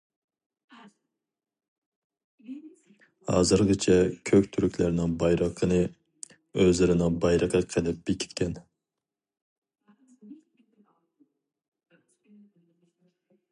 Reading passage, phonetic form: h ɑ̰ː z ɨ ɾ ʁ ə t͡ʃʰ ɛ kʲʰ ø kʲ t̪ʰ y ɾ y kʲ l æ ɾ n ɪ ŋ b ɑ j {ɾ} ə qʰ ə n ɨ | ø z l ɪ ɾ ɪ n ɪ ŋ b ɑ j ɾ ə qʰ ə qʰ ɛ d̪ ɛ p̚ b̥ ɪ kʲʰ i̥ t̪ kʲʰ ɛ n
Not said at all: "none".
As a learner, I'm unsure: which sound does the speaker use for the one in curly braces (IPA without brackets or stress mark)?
ɾ